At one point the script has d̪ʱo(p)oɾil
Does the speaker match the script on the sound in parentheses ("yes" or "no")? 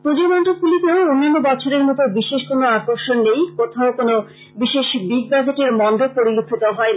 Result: yes